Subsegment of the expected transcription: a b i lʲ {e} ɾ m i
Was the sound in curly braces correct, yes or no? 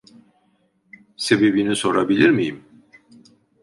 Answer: no